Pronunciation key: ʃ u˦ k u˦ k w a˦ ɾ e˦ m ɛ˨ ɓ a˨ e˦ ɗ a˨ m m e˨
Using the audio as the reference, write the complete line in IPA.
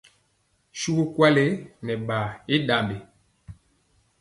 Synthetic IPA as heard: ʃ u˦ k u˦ k w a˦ l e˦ n ɛ˨ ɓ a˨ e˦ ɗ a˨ m b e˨